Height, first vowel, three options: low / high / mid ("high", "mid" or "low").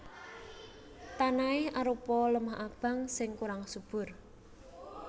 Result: low